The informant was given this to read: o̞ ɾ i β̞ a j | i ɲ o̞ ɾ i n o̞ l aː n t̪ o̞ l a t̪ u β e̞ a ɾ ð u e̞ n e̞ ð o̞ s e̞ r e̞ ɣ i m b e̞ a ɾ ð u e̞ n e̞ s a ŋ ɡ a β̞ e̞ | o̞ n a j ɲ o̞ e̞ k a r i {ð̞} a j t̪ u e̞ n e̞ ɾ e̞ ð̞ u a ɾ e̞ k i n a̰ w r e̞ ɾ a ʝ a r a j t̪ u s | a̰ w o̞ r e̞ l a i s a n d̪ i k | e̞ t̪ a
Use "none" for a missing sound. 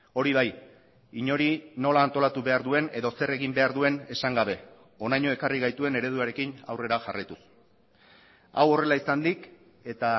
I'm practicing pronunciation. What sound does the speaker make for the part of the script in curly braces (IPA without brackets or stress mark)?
ɣ̞